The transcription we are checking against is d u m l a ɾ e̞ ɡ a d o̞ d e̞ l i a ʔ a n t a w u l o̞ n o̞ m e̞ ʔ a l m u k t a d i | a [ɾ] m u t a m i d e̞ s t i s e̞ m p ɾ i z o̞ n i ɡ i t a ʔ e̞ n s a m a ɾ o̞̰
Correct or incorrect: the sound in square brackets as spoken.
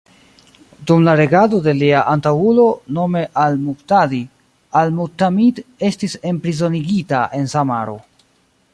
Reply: incorrect: l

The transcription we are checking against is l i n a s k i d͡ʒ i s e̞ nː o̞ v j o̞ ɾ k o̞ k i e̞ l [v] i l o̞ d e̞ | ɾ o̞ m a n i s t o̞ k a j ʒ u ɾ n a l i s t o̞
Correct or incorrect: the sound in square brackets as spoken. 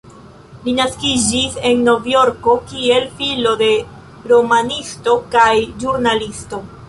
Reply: incorrect: f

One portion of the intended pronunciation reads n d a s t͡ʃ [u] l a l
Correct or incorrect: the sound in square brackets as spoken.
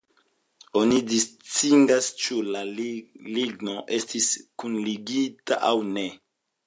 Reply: correct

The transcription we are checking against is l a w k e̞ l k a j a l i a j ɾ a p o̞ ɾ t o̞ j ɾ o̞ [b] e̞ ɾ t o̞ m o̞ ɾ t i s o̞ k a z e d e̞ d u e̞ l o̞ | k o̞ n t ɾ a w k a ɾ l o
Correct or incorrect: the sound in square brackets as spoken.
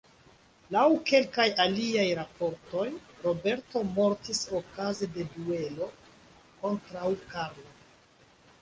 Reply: correct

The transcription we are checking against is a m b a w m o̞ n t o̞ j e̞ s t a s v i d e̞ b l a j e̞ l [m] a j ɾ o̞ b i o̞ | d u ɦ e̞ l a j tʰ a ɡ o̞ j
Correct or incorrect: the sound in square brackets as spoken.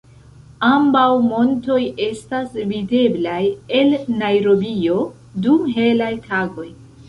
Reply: incorrect: n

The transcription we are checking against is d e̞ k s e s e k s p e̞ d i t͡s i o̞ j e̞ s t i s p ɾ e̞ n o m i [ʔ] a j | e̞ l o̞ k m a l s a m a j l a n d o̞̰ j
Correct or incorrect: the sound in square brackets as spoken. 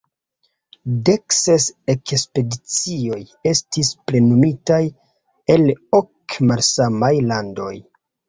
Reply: incorrect: t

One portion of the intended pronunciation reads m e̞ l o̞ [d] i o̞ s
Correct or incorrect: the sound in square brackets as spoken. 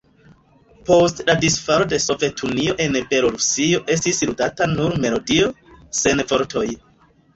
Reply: correct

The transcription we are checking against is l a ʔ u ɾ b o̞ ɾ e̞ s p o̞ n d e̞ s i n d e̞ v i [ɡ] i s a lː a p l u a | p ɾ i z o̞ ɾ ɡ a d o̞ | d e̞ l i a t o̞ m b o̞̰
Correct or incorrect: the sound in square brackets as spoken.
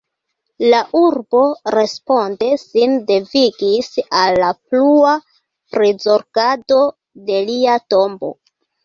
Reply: correct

